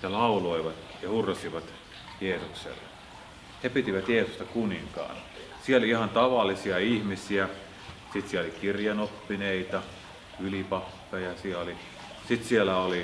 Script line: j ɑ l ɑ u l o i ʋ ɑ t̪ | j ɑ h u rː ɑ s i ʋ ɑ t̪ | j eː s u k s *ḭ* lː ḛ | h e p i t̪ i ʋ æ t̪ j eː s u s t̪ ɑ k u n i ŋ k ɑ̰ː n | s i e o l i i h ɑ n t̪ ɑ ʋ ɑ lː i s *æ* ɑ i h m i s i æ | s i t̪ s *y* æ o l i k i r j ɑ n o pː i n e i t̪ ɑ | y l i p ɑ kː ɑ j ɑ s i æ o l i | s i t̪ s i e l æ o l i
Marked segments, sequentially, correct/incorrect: incorrect, incorrect, incorrect

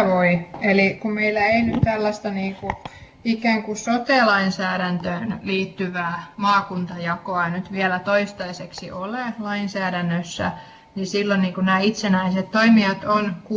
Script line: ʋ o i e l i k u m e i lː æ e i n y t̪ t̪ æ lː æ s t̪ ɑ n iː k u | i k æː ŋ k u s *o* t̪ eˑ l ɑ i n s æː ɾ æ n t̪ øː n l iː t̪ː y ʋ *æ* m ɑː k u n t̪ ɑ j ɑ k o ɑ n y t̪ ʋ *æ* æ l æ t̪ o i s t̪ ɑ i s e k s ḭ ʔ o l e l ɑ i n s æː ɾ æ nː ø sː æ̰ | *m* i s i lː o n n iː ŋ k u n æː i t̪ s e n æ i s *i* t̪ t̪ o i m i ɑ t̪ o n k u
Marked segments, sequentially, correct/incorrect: correct, incorrect, incorrect, incorrect, incorrect

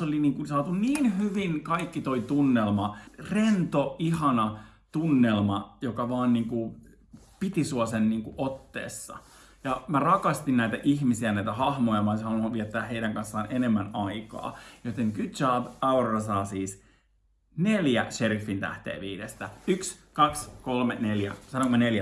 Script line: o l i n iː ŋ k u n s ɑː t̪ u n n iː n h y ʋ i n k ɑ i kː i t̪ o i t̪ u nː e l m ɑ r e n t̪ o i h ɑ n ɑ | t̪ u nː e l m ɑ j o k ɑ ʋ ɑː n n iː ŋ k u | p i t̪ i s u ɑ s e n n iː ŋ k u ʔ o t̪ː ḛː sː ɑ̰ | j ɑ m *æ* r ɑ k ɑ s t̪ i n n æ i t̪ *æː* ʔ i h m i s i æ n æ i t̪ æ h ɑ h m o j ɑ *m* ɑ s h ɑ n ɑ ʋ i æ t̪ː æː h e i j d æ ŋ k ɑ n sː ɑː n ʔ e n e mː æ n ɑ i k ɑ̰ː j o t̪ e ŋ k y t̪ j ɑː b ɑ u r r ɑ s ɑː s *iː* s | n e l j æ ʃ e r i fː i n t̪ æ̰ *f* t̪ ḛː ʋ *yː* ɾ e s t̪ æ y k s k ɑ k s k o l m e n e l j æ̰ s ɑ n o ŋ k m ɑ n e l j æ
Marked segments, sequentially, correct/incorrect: correct, incorrect, correct, correct, incorrect, incorrect

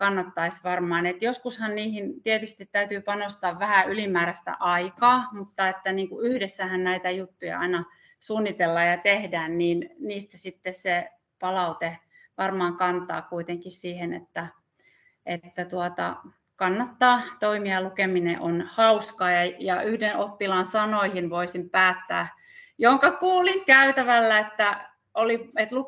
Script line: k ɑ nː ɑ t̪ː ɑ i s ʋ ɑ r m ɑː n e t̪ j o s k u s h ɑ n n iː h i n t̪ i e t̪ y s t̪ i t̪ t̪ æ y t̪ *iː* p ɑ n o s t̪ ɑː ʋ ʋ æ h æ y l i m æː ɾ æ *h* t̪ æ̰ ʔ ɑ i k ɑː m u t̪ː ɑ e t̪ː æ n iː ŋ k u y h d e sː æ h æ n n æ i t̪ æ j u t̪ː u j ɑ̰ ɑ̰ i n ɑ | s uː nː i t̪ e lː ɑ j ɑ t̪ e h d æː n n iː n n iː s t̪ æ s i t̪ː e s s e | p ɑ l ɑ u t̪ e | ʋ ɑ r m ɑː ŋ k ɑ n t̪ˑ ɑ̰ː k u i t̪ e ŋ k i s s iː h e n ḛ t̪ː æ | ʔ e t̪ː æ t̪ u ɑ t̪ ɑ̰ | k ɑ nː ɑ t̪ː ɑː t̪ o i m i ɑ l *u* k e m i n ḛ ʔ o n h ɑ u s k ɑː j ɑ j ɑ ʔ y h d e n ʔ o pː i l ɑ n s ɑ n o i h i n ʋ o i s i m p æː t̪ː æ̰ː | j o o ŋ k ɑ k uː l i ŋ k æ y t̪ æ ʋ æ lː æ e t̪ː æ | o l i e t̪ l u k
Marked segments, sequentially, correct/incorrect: incorrect, incorrect, correct

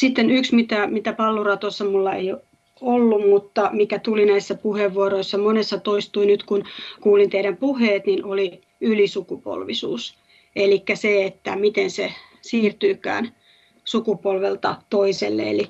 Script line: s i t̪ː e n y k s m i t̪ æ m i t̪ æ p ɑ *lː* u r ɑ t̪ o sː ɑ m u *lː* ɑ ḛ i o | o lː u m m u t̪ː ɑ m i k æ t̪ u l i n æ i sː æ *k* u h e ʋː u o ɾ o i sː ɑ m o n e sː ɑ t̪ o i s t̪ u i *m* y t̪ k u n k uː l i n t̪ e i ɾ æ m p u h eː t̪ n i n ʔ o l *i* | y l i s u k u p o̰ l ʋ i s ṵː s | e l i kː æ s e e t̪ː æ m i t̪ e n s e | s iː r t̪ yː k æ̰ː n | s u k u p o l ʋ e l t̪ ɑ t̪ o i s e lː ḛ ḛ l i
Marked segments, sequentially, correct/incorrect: correct, correct, incorrect, incorrect, correct

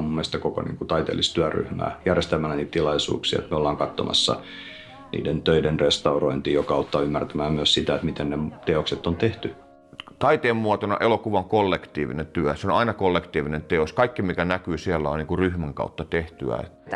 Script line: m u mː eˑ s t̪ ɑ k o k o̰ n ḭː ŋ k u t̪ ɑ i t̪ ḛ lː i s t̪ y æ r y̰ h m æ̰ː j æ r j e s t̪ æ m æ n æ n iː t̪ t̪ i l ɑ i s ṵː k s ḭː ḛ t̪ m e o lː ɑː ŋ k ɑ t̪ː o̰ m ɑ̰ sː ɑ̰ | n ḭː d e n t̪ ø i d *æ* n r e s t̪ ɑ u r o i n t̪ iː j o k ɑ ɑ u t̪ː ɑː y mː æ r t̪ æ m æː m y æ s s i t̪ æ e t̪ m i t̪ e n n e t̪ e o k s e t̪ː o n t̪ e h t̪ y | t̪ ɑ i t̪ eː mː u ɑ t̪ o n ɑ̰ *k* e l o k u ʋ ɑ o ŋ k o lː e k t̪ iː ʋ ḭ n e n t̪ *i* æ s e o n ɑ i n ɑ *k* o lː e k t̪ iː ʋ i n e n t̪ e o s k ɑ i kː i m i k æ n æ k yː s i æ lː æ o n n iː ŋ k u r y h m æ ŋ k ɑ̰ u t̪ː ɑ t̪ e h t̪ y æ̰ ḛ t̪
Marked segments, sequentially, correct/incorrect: incorrect, incorrect, incorrect, correct

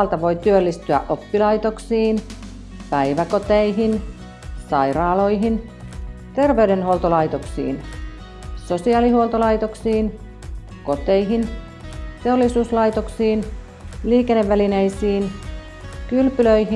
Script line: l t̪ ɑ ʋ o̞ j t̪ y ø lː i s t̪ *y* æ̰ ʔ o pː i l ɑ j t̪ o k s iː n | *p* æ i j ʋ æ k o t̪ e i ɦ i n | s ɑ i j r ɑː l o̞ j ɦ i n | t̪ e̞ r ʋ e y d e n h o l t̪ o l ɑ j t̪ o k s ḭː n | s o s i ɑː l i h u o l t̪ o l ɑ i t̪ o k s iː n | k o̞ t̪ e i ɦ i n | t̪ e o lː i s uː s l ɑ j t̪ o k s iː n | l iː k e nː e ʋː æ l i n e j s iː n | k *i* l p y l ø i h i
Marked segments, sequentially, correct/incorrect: correct, correct, incorrect

